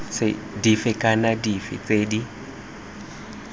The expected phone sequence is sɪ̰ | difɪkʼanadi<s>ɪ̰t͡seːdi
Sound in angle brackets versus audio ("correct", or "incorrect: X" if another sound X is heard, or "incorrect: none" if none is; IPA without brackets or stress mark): incorrect: f